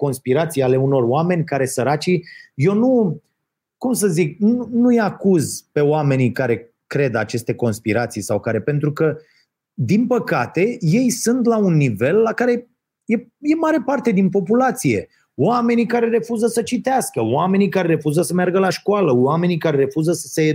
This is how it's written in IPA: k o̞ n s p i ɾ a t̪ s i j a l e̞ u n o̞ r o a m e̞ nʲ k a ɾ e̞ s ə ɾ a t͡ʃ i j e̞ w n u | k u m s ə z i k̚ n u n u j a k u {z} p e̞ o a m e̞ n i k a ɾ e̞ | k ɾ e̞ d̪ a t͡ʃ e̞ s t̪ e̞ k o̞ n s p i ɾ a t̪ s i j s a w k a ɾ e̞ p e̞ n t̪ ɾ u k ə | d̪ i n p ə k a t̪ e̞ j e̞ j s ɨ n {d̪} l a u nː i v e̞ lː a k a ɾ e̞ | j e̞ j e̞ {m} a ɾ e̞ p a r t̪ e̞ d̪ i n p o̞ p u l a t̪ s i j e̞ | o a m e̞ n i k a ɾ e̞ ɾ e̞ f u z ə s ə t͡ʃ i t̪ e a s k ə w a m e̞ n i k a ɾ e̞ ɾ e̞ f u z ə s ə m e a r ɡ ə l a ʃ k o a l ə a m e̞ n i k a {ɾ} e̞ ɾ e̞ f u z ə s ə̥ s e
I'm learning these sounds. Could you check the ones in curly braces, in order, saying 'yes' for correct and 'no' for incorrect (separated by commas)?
yes, no, yes, yes